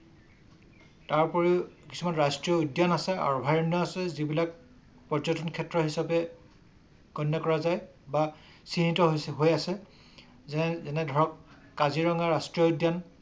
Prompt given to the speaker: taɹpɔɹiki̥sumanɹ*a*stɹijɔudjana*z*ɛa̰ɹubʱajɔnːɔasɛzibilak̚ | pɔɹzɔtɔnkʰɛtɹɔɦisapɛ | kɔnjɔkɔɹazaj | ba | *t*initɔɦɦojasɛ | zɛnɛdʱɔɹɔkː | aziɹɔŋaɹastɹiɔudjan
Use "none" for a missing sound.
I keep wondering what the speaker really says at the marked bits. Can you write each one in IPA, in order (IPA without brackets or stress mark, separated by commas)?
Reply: a, s, s